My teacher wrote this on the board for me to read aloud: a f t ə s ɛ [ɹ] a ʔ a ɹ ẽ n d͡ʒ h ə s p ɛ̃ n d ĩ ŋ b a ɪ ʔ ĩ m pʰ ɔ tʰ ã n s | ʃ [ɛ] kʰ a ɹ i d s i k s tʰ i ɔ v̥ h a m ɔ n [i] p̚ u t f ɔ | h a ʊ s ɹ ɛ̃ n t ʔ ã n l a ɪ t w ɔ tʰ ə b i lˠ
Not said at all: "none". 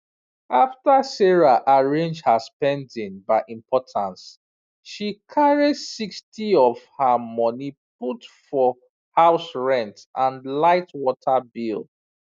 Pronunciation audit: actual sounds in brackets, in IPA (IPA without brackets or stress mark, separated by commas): ɹ, i, i